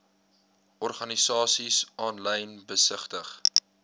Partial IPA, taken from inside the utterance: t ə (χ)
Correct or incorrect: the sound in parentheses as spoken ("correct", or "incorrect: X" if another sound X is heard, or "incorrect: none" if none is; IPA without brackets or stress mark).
correct